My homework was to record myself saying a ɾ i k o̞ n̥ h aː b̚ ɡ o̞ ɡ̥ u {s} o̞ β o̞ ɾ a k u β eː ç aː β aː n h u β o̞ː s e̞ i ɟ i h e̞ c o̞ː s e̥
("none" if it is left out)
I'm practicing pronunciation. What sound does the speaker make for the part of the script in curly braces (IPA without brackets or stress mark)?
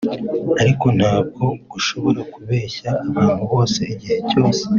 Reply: ʃ